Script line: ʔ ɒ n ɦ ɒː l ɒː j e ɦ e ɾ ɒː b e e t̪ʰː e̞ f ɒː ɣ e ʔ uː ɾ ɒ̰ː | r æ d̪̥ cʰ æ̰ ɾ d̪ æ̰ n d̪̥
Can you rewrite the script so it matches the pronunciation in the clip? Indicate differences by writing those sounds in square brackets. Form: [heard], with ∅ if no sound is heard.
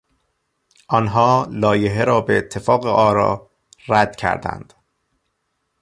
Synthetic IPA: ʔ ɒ n ɦ ɒː l ɒː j e ɦ e ɾ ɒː b e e t̪ʰː e̞ f ɒː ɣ e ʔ [ɒː] ɾ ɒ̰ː | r æ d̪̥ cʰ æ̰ ɾ d̪ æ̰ n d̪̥